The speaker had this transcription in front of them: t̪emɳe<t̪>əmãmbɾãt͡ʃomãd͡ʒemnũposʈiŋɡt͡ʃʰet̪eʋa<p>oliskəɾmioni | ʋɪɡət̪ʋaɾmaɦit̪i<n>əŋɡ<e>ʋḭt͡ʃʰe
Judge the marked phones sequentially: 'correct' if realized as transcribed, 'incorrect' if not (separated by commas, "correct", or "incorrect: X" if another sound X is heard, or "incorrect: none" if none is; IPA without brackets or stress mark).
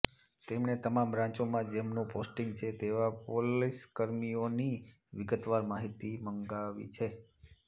correct, correct, incorrect: m, incorrect: a